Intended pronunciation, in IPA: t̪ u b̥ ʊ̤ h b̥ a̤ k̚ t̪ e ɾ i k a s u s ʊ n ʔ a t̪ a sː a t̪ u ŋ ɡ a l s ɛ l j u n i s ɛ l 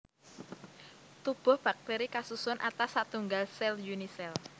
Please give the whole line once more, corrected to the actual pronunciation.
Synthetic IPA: t̪ u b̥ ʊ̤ h b̥ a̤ k̚ t̪ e ɾ i k a s u s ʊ n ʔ a t̪ a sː a t̪ u ŋ ɡ a l s ɛ l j u n i s ɛ l

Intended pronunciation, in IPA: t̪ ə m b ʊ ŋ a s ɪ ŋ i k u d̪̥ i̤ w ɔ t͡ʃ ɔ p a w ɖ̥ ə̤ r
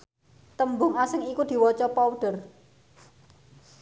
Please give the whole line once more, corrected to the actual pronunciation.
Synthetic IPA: t̪ ə m b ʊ ŋ a s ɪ ŋ i k u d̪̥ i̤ w ɔ t͡ʃ ɔ p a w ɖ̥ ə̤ r

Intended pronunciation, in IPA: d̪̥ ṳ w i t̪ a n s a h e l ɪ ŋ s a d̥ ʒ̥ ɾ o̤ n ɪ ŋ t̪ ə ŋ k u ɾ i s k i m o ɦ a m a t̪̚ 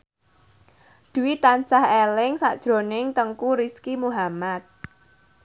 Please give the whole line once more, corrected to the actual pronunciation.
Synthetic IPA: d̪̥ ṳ w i t̪ a n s a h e l ɪ ŋ s a d̥ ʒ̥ ɾ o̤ n ɪ ŋ t̪ ə ŋ k u ɾ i s k i m u ɦ a m a t̪̚

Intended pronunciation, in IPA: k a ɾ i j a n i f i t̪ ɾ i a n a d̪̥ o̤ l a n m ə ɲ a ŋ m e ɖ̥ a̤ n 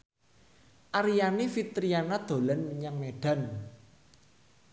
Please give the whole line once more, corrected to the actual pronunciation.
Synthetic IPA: ʔ a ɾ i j a n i f i t̪ ɾ i a n a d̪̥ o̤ l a n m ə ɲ a ŋ m e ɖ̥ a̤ n

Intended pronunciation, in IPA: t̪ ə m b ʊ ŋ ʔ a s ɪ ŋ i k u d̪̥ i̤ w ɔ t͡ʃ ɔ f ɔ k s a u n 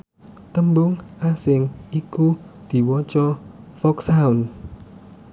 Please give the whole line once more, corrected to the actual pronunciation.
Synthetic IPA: t̪ ə m b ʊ ŋ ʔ a s ɪ ŋ i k u d̪̥ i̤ w ɔ t͡ʃ ɔ f ɔ k s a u n

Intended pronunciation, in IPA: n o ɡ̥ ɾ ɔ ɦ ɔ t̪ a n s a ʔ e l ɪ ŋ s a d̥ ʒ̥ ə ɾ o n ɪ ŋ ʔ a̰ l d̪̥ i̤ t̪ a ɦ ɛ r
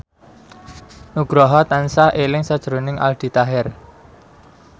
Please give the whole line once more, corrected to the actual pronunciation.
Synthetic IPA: n u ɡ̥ ɾ ɔ ɦ ɔ t̪ a n s a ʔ e l ɪ ŋ s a d̥ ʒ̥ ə ɾ o n ɪ ŋ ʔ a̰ l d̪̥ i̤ t̪ a ɦ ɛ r

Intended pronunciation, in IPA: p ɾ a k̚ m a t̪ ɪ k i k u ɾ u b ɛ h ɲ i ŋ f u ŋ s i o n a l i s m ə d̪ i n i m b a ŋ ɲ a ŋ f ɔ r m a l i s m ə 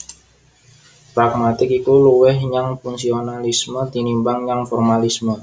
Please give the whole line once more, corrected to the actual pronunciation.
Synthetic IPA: p ɾ a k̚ m a t̪ ɪ k i k u l u w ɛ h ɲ a ŋ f u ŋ s i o n a l i s m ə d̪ i n i m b a ŋ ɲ a ŋ f ɔ r m a l i s m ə

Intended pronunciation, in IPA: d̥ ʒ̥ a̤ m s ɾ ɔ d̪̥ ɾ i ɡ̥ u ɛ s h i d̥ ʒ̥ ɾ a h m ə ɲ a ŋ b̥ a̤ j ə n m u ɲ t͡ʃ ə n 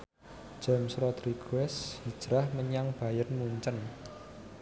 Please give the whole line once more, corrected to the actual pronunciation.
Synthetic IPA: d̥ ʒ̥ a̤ m s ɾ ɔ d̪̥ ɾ i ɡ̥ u ɛ s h i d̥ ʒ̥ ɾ a h m ə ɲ a ŋ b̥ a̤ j ə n m u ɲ t͡ʃ ə n

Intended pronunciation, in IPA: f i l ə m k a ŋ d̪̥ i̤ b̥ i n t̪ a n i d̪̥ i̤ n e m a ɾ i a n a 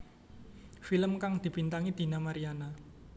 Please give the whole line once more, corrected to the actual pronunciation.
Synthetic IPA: f i l ə m k a ŋ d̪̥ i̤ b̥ i n t̪ a ŋ i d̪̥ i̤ n a m a ɾ i a n a

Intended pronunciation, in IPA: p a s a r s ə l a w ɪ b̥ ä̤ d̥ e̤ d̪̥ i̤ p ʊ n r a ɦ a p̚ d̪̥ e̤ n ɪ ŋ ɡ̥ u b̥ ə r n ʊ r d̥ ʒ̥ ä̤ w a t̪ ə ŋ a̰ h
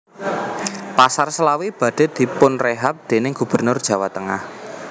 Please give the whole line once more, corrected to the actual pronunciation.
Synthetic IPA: p a s a r s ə l a w i b̥ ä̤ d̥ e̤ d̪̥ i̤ p ʊ n r e ɦ a p̚ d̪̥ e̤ n ɪ ŋ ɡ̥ u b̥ ə r n ʊ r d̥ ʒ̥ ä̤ w a t̪ ə ŋ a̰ h

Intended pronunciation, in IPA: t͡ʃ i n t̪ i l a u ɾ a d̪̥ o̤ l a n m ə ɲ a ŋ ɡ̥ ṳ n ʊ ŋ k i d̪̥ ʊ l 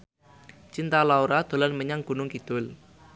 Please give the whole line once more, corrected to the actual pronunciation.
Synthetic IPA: t͡ʃ i n t̪ a l a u ɾ a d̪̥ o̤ l a n m ə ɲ a ŋ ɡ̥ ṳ n ʊ ŋ k i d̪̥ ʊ l

